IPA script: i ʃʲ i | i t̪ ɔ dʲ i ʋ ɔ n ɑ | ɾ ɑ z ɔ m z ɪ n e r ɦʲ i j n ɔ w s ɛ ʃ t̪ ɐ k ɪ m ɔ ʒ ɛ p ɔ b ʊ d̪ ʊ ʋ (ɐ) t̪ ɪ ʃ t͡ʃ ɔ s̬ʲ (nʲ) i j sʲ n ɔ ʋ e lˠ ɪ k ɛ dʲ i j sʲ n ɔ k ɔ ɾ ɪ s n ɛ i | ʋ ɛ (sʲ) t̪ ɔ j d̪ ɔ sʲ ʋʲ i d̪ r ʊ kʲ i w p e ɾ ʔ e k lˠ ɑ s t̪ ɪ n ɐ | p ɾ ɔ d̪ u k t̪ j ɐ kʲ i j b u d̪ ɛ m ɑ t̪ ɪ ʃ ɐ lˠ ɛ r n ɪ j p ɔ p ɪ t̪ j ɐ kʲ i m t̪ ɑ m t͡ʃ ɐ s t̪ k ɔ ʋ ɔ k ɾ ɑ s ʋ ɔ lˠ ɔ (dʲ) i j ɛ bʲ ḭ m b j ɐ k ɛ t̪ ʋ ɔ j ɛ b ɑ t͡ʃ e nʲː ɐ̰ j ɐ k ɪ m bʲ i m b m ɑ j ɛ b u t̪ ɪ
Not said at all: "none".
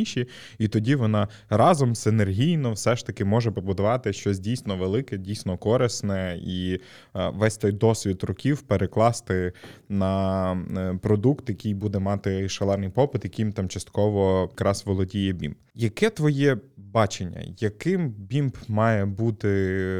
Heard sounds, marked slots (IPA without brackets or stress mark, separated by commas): ɑ, dʲ, sʲ, dʲ